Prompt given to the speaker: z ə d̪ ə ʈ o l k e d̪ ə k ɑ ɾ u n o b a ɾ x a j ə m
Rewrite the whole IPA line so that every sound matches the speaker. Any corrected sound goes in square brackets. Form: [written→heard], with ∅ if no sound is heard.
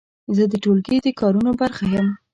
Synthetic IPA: z ə d̪ ə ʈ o l [k→ɡ] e d̪ ə k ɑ ɾ u n o b a ɾ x a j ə m